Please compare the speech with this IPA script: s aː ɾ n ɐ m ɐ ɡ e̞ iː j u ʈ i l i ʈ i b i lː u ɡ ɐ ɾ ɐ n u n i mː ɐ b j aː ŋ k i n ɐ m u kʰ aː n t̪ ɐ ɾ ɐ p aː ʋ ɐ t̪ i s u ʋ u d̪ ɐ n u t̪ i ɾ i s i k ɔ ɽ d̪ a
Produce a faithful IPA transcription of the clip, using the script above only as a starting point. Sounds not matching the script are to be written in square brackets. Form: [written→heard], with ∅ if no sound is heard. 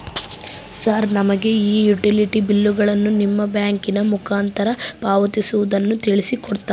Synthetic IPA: s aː ɾ n ɐ m ɐ ɡ e̞ iː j u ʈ i l i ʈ i b i lː u ɡ ɐ [ɾ→ɭ] ɐ [n→nː] u n i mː ɐ b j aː ŋ k i n ɐ m u kʰ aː n t̪ ɐ ɾ ɐ p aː ʋ ɐ t̪ i s u ʋ u d̪ ɐ [n→nː] u t̪ i [ɾ→ɭ] i s i k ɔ ɽ [d̪→t̪] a